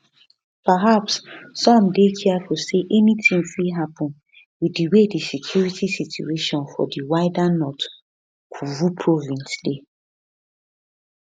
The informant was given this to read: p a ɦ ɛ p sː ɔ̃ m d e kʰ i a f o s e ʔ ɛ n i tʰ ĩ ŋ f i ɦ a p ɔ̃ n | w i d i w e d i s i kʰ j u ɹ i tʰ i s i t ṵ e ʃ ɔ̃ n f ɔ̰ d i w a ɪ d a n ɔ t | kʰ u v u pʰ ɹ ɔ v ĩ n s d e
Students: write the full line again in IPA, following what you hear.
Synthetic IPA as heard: p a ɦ a p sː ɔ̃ m d e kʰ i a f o s e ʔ ɛ n i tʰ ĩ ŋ f i ɦ a p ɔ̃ n | w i d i w e d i s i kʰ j u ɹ i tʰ i s i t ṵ e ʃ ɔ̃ n f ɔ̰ d i w a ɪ d a n ɔ t | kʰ u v u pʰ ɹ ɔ v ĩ n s d e